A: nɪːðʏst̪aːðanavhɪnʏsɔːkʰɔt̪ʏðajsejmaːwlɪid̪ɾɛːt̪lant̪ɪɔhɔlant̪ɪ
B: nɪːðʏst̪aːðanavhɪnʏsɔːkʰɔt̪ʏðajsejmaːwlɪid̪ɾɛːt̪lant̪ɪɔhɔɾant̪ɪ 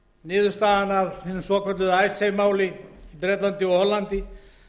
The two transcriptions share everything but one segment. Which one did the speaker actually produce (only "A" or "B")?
A